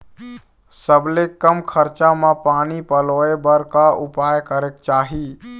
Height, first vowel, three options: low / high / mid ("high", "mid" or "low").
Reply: mid